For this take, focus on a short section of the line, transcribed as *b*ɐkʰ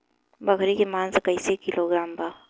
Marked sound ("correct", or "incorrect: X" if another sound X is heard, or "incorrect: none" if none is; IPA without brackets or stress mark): correct